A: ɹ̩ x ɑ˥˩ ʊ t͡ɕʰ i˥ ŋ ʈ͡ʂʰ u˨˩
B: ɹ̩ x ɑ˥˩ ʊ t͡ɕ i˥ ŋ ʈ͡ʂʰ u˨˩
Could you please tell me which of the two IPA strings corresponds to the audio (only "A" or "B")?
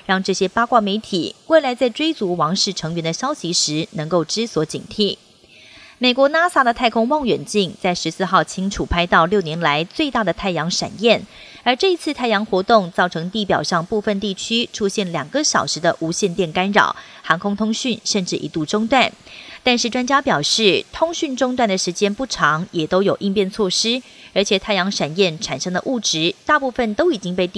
A